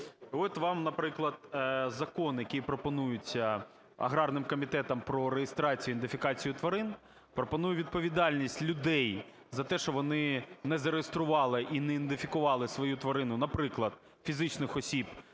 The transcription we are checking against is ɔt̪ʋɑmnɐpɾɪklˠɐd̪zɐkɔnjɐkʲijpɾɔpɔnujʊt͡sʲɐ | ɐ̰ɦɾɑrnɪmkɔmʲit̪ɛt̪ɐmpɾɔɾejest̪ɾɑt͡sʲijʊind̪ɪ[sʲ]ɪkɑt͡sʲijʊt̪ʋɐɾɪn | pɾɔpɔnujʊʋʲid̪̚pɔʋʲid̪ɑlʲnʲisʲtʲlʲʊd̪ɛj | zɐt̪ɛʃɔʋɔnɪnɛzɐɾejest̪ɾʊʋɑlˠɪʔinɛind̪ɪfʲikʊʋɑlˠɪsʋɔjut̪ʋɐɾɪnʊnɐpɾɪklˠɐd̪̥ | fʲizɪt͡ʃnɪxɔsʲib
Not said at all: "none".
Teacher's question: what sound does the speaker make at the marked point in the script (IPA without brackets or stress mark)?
fʲ